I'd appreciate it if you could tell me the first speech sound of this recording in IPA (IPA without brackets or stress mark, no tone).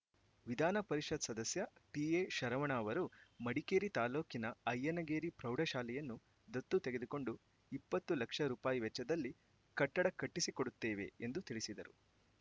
ʋ